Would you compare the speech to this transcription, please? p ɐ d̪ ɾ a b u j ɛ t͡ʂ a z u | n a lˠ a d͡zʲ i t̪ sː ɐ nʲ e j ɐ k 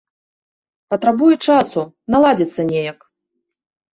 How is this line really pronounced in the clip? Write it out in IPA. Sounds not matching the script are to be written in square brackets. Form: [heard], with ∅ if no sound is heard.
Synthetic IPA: p ɐ [t̪] ɾ a b u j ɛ t͡ʂ a [s] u | n a lˠ a d͡zʲ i t̪ sː ɐ nʲ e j ɐ k